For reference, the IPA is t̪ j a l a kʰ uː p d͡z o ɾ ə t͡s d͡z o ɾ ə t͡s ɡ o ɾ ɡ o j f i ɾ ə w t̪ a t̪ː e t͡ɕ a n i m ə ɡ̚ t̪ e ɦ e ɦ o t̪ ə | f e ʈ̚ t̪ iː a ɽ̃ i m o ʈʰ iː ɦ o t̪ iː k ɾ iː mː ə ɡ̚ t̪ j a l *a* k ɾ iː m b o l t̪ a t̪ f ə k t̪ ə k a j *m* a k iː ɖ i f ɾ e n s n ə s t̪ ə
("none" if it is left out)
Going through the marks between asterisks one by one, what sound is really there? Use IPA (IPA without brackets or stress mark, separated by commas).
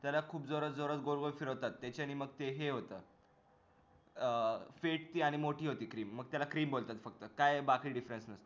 a, b